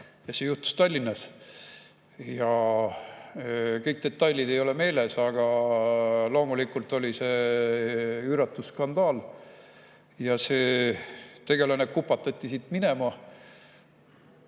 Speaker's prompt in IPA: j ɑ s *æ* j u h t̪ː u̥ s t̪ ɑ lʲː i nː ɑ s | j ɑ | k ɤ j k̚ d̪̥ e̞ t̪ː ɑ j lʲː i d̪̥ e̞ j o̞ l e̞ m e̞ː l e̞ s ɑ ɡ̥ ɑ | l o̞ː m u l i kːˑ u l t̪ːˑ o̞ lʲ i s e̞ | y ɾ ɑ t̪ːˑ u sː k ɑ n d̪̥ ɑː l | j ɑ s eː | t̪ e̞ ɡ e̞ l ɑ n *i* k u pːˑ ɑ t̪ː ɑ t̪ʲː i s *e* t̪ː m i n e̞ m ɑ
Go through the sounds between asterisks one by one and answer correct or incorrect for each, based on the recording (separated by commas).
incorrect, incorrect, incorrect